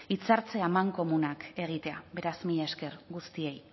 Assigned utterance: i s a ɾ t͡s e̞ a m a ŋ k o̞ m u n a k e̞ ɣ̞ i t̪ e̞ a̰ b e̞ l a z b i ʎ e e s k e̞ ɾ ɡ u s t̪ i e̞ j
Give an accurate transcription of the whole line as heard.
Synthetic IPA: i t͡s a ɾ t͡s e̞ a m a ŋ k o̞ m u n a k e̞ ɣ̞ i t̪ e̞ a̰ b e̞ ɾ a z m i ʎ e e s k e̞ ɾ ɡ u s t̪ i e̞ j